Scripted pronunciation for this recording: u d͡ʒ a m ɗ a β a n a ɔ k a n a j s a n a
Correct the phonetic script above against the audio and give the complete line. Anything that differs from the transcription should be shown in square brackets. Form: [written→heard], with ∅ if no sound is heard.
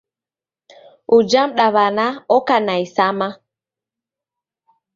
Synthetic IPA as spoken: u d͡ʒ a m ɗ a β a n a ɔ k a n a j s a [n→m] a